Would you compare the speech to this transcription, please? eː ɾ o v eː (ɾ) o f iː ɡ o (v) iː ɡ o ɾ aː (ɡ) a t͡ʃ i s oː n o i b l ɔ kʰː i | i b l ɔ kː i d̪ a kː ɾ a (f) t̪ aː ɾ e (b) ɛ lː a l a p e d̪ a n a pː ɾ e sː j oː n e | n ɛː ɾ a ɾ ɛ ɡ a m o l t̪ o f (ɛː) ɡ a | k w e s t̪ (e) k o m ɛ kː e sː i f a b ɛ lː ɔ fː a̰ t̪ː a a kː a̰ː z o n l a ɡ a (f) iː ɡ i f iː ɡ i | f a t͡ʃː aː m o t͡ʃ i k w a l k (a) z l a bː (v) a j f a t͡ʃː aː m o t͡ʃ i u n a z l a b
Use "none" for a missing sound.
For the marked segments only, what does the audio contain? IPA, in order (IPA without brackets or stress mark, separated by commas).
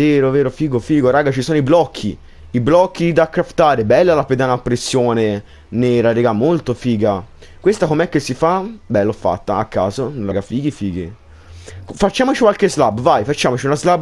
ɾ, f, ɡ, f, b, iː, a, f, e, v